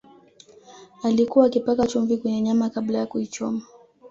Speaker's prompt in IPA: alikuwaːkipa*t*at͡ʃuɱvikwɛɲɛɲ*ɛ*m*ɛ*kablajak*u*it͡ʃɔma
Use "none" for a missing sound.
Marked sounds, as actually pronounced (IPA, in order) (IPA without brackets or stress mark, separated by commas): k, a, a, u